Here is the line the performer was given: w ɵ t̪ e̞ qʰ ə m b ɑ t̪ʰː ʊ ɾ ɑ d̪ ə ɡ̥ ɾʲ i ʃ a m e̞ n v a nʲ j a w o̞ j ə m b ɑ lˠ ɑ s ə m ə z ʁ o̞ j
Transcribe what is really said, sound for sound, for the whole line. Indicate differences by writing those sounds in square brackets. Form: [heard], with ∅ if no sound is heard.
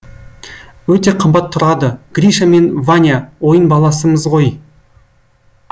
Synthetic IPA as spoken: w ɵ t̪ e̞ qʰ ə m b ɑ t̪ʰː ʊ ɾ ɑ d̪ ə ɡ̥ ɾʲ i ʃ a m e̞ n v a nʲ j a w o̞ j ə [n] b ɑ lˠ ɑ s ə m ə z ʁ o̞ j